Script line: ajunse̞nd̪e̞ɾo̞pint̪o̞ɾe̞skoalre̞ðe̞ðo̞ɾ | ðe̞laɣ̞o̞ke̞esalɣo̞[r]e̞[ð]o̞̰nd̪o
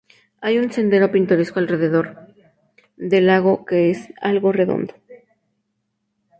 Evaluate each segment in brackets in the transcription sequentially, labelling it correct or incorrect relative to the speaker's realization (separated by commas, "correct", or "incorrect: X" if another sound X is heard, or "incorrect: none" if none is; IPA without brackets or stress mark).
correct, correct